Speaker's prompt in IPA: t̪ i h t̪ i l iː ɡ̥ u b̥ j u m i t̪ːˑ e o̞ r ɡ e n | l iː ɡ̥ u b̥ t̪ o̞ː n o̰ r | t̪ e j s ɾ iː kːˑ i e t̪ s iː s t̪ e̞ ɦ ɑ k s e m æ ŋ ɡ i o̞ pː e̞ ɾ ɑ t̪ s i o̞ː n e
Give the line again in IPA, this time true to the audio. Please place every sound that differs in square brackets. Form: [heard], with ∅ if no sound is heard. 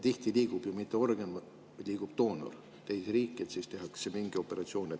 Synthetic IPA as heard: t̪ i h t̪ i l iː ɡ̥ u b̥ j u m i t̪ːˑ e o̞ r ɡ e n | l iː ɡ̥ u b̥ t̪ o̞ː n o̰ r | t̪ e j s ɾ iː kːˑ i e t̪ s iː s t̪ e̞ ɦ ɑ k s e m [i] ŋ ɡ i o̞ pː e̞ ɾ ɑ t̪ s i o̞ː n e